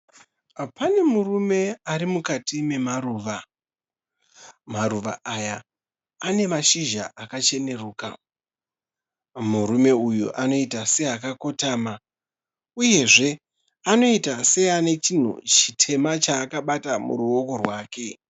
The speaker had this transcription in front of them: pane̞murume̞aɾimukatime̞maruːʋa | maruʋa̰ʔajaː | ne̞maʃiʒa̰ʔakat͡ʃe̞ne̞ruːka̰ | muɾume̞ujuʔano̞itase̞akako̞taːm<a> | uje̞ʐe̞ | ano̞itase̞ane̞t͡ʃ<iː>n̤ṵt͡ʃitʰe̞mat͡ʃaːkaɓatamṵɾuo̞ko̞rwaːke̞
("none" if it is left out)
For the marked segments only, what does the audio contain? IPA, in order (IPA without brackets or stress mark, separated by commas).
a, i